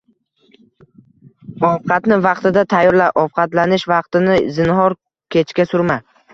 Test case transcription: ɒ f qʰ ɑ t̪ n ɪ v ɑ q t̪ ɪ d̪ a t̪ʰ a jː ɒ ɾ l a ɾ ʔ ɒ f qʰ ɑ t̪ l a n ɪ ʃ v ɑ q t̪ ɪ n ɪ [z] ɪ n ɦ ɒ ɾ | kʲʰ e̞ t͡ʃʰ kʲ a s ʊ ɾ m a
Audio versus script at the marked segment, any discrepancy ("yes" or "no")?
no